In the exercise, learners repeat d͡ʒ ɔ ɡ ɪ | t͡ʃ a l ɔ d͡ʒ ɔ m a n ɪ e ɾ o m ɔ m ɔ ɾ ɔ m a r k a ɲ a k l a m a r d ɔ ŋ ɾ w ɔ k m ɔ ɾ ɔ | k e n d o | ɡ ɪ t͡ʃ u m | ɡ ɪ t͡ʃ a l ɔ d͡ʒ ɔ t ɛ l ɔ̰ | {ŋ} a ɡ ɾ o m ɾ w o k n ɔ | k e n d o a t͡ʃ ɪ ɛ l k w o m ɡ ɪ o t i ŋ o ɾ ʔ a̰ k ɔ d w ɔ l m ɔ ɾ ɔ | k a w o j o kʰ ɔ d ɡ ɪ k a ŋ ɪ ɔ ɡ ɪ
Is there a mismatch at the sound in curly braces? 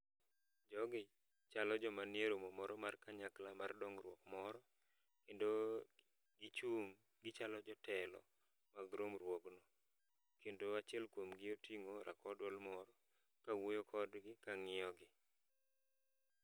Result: yes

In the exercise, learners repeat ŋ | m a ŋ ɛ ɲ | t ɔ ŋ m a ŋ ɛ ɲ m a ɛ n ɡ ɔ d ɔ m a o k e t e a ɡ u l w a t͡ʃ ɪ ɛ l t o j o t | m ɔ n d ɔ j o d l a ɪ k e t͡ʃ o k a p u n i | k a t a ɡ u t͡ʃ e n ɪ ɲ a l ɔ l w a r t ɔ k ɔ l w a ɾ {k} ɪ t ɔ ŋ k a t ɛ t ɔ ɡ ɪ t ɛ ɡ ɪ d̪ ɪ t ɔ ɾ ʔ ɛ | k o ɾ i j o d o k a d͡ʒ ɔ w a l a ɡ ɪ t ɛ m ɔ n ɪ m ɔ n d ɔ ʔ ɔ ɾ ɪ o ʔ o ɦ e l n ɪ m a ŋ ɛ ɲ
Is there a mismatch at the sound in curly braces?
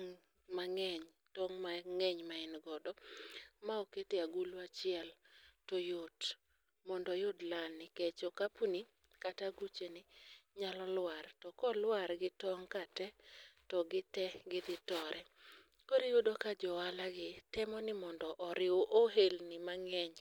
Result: yes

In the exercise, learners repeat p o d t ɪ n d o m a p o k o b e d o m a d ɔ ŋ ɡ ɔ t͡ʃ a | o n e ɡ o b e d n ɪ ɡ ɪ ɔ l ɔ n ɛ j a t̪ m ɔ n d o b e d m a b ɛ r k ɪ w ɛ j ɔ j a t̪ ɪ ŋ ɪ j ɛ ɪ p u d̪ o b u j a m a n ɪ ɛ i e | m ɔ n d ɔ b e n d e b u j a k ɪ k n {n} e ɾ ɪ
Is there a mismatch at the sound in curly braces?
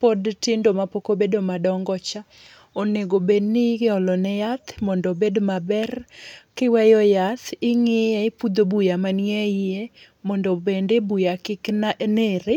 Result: no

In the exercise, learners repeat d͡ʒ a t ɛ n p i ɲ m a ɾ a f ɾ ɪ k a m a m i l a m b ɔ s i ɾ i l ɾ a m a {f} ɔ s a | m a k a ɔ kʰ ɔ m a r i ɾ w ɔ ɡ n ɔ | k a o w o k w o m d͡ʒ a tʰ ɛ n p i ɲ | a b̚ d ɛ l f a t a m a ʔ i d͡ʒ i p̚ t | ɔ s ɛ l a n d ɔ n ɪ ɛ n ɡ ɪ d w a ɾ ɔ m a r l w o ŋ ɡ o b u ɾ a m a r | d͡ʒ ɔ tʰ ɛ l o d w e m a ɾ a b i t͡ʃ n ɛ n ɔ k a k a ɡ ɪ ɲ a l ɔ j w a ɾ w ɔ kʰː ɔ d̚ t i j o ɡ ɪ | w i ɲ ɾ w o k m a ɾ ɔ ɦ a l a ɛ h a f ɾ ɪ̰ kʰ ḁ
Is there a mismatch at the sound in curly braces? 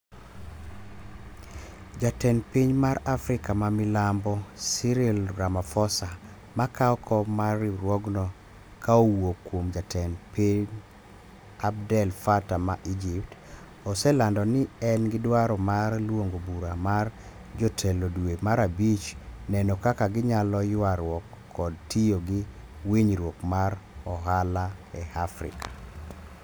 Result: no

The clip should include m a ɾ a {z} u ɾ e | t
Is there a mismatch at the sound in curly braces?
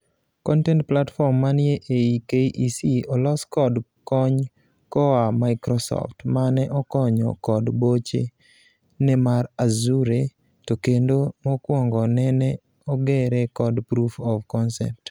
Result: no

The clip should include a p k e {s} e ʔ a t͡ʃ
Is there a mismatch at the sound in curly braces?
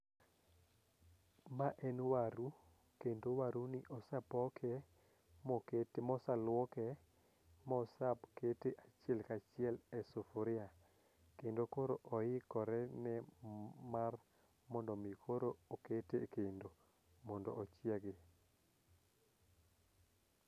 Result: yes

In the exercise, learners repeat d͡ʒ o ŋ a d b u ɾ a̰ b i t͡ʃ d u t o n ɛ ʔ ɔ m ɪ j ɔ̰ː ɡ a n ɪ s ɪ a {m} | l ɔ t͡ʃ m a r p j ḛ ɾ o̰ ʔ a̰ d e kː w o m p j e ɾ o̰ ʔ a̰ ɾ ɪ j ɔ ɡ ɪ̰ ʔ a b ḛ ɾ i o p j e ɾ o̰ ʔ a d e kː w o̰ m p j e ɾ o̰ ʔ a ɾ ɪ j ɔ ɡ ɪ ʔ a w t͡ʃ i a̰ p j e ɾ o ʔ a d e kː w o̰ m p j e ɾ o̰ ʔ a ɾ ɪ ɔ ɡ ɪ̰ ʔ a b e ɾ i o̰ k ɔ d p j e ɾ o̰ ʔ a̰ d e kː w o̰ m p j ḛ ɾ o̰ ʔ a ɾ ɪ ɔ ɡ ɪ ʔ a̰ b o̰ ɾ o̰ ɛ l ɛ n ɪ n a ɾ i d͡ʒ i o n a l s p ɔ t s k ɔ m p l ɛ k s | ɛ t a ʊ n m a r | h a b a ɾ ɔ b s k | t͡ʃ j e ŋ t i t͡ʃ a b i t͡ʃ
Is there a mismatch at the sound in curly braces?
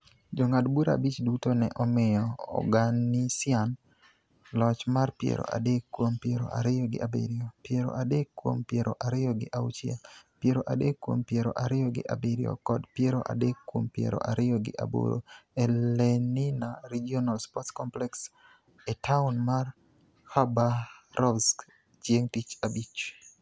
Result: yes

